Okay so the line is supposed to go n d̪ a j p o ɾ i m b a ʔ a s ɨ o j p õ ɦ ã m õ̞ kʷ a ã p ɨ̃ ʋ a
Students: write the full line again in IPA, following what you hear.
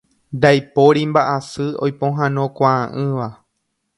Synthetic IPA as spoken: n d̪ a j p o ɾ i m b a ʔ a s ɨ o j p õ ɦ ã n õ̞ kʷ a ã ʔ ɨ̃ ʋ a